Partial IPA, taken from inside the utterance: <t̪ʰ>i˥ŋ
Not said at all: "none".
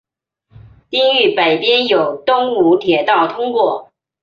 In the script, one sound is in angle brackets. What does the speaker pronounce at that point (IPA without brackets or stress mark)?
t̪